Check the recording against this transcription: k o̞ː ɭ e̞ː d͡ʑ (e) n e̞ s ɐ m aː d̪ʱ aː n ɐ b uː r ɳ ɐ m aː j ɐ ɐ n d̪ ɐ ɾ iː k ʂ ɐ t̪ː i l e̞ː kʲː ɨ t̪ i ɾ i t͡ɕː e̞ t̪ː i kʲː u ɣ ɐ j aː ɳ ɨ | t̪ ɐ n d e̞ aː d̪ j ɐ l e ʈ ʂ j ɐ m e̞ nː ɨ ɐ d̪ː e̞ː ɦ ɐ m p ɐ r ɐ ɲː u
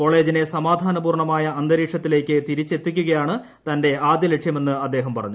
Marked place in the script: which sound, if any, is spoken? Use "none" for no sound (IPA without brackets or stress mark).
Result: i